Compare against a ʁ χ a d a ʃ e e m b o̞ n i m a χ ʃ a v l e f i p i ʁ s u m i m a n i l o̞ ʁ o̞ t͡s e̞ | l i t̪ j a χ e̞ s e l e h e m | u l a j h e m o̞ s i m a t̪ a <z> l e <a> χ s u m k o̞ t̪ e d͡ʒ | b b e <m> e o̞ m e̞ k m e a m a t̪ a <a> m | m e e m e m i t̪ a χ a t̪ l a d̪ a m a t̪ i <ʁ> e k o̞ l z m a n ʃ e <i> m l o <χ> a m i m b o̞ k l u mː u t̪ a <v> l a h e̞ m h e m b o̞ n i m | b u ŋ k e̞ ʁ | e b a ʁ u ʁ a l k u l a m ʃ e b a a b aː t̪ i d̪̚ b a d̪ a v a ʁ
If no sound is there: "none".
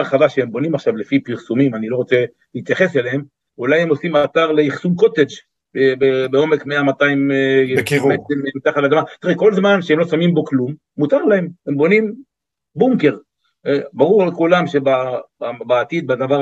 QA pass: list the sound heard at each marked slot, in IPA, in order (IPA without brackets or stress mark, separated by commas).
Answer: ʁ, i, b, i, ʁ, e, s, ʁ